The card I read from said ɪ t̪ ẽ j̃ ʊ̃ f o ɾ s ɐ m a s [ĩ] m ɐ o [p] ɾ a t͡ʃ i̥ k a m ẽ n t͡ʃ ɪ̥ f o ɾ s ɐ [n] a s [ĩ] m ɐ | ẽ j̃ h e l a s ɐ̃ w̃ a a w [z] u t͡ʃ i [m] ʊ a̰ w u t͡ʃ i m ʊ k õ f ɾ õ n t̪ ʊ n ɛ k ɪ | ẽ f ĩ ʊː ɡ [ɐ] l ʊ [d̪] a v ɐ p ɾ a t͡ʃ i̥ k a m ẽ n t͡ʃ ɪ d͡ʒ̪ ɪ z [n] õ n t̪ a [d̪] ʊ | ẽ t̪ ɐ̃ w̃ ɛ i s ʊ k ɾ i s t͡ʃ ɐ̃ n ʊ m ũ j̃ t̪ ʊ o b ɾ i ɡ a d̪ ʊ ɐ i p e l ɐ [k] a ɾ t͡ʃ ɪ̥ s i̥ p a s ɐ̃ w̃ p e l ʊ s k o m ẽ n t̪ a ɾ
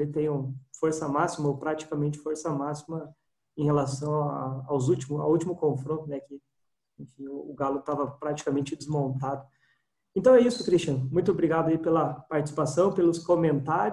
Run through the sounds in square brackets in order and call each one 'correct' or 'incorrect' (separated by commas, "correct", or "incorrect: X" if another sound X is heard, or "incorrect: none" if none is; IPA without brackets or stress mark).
incorrect: i, correct, incorrect: m, incorrect: i, correct, correct, incorrect: a, incorrect: t̪, incorrect: m, correct, incorrect: p